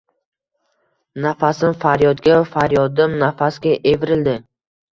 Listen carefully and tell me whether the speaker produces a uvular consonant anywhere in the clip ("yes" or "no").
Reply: no